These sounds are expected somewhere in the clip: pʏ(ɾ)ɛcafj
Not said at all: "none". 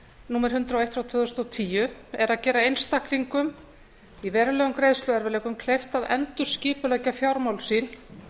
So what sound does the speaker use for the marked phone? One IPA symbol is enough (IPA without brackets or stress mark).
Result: l